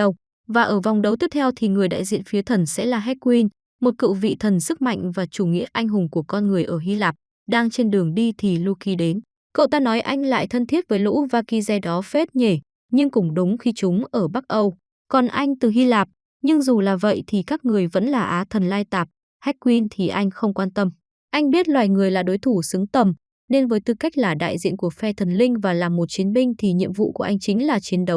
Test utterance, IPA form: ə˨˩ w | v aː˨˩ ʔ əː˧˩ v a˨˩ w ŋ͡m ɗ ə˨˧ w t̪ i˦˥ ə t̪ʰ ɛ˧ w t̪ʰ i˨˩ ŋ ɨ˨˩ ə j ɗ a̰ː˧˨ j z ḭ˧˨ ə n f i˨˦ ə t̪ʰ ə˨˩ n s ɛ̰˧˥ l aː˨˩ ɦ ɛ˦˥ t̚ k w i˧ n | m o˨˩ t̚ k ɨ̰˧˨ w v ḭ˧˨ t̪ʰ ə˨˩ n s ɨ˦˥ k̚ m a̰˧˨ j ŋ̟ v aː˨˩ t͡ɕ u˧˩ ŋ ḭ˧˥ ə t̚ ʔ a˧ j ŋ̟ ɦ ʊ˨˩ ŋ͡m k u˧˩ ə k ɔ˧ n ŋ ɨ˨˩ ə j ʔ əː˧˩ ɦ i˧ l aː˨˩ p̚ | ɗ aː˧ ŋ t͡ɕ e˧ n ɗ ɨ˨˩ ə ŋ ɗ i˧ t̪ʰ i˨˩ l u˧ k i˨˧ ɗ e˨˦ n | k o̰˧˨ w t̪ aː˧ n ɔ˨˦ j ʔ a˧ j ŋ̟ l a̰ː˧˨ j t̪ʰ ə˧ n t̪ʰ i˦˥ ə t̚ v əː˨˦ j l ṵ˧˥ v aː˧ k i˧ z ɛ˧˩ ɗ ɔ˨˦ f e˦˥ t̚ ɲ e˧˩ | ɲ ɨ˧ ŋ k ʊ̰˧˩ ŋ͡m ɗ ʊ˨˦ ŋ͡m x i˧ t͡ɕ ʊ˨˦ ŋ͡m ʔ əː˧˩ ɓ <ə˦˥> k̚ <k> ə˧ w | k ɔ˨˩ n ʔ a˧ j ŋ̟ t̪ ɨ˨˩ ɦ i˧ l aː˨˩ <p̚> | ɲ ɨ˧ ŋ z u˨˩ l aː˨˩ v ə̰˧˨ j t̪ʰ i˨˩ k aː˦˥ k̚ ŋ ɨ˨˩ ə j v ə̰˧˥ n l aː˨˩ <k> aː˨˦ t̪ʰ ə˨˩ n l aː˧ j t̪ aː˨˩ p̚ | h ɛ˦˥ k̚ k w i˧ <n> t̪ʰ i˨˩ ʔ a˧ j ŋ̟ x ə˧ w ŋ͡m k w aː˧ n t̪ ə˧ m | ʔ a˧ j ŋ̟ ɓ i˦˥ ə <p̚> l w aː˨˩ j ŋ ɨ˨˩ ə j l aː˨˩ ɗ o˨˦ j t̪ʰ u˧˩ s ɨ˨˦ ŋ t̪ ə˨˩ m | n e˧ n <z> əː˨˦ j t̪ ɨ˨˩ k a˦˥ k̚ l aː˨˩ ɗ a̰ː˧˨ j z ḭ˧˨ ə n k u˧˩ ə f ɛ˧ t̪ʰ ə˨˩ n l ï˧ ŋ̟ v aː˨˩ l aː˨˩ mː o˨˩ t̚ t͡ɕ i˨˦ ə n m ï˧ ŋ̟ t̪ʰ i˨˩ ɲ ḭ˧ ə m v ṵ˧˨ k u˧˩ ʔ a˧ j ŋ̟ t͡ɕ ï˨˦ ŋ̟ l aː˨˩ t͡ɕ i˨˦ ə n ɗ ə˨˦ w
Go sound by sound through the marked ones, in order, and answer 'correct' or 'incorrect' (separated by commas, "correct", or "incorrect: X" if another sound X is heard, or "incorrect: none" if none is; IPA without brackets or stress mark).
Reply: incorrect: a˦˥, incorrect: ʔ, correct, incorrect: ʔ, correct, incorrect: t̚, incorrect: v